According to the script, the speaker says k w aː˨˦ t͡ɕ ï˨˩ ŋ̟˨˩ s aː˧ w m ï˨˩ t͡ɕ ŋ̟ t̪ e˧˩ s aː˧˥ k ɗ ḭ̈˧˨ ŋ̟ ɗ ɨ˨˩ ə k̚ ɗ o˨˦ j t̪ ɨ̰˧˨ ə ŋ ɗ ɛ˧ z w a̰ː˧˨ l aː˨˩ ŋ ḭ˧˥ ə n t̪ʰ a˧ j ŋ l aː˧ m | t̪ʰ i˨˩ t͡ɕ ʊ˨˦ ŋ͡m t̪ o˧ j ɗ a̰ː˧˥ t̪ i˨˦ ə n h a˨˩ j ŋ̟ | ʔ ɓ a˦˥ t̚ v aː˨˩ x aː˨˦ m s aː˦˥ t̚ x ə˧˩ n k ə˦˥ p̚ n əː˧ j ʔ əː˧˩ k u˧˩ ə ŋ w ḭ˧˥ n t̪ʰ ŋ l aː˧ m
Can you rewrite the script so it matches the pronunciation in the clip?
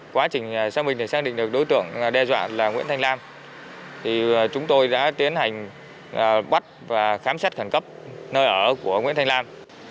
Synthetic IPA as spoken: k w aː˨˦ t͡ɕ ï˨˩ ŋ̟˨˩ s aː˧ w m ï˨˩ ŋ̟ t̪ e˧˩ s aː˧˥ k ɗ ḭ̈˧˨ ŋ̟ ɗ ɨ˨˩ ə k̚ ɗ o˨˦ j t̪ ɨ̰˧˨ ə ŋ ɗ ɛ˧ z w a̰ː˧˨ l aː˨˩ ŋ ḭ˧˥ ə n t̪ʰ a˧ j ŋ l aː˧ m | t̪ʰ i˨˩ t͡ɕ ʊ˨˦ ŋ͡m t̪ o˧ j ɗ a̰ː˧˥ t̪ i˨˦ ə n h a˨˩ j ŋ̟ | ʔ ɓ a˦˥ t̚ v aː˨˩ x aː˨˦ m s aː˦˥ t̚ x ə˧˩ n k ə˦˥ p̚ n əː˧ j ʔ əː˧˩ k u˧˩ ə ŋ w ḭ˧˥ n t̪ʰ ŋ l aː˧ m